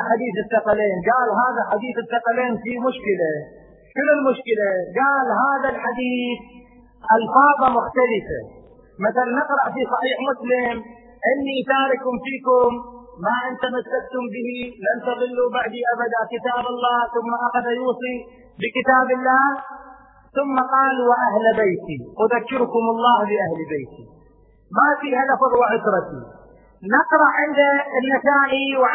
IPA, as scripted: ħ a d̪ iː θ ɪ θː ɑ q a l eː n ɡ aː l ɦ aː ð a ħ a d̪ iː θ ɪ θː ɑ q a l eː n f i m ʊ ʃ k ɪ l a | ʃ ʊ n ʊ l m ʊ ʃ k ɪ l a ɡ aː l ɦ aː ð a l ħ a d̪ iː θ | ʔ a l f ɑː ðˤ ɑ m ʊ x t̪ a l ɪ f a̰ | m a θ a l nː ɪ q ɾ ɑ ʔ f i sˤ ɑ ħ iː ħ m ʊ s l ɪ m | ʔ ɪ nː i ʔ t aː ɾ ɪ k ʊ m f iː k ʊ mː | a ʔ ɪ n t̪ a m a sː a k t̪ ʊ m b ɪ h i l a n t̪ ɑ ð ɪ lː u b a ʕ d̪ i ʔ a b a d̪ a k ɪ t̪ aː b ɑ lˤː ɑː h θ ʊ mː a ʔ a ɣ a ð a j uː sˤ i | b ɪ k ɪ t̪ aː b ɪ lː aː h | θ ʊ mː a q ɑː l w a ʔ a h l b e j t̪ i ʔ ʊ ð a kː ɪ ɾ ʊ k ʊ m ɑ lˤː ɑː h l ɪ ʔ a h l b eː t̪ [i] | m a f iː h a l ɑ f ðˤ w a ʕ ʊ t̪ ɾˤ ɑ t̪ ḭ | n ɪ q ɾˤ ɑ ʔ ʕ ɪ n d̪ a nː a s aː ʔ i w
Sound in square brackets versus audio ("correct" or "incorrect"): correct